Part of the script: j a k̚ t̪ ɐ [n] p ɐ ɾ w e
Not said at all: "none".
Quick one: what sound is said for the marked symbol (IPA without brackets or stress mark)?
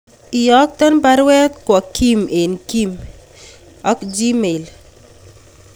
n